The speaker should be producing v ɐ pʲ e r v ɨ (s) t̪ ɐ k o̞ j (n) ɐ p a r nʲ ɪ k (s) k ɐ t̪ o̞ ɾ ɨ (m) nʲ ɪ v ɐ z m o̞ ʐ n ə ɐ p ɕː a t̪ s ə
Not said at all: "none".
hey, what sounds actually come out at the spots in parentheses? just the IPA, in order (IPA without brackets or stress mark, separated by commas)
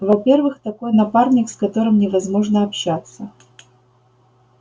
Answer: x, n, s, m